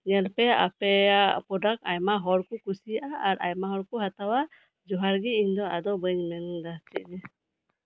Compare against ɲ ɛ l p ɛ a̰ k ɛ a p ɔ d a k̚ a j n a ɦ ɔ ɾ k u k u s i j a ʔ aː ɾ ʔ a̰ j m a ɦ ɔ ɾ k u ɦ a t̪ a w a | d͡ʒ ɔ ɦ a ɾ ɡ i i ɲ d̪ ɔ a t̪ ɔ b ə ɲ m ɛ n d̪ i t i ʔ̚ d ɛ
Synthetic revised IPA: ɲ ɛ l p ɛ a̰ p ɛ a p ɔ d a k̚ a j m a ɦ ɔ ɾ k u k u s i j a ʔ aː ɾ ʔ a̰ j m a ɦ ɔ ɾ k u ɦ a t̪ a w a | d͡ʒ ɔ ɦ a ɾ ɡ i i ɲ d̪ ɔ a d̪ ɔ b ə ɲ m ɛ n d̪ a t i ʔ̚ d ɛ